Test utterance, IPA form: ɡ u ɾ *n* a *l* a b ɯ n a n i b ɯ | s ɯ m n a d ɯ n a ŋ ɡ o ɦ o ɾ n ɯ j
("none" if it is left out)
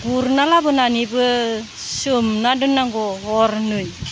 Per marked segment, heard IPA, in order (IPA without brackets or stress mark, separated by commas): n, l